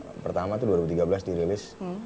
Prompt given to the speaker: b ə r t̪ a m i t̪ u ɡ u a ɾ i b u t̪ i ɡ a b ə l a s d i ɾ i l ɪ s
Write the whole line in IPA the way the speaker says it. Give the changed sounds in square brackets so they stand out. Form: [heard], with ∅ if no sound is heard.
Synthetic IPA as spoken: [p] ə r t̪ a m [a] t̪ u [d] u a ɾ i b u t̪ i ɡ a b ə l a s d i ɾ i l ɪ s